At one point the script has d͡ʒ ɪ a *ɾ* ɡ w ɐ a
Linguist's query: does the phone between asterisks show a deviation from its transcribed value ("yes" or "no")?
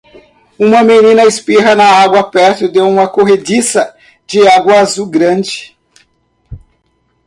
yes